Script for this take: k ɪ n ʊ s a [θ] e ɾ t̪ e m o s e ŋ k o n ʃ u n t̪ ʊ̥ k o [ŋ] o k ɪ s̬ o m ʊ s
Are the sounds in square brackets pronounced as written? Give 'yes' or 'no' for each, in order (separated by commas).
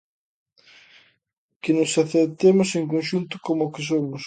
yes, no